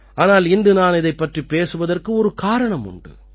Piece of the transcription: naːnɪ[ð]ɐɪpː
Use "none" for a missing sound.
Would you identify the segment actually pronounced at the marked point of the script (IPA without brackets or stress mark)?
ð